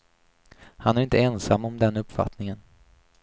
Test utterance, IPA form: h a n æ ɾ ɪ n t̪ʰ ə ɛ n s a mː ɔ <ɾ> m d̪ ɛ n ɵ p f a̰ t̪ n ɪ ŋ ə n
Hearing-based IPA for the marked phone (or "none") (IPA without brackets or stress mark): none